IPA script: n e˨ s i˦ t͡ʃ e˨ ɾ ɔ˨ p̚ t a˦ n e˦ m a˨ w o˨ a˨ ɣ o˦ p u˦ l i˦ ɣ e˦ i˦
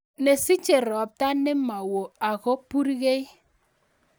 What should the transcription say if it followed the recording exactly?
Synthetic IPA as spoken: n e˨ s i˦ t͡ʃ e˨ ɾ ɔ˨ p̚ t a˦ n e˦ m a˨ w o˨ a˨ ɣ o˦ p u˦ ɾ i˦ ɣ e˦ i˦